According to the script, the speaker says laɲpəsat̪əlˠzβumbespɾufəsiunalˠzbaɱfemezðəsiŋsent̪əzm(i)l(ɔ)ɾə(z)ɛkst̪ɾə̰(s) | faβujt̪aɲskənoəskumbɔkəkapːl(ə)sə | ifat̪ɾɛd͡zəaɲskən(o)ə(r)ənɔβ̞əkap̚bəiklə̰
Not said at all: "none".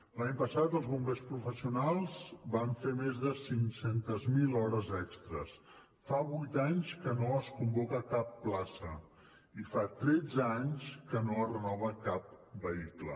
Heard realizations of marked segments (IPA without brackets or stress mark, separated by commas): i, ɔ, z, s, a, o, r